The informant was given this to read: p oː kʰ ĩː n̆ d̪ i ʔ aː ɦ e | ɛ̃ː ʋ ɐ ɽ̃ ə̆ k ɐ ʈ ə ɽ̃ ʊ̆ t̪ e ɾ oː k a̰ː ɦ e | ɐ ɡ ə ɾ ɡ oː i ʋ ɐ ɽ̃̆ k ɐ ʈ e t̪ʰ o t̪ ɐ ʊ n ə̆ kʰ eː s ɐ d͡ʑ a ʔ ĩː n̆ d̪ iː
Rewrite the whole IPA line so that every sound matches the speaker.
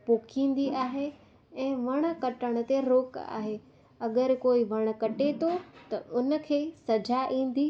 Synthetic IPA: p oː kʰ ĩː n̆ d̪ i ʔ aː ɦ e | ɛ̃ː ʋ ɐ ɽ̃ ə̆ k ɐ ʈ ə ɽ̃ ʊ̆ t̪ e ɾ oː k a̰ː ɦ e | ɐ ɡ ə ɾ k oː i ʋ ɐ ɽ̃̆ k ɐ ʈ e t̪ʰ o t̪ ɐ ʊ n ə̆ kʰ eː s ɐ d͡ʑ a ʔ ĩː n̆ d̪ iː